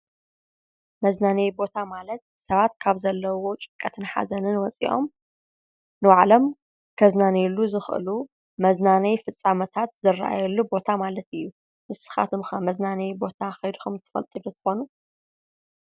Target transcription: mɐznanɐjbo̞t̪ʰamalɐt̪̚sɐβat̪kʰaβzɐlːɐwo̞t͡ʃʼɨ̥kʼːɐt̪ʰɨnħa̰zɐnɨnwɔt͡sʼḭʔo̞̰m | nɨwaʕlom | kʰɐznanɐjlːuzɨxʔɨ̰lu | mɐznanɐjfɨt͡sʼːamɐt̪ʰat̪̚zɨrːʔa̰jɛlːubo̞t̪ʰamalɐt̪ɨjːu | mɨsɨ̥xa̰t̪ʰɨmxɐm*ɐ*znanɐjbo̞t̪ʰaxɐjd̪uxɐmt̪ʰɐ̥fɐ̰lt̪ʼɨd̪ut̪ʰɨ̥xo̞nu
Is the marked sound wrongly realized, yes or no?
no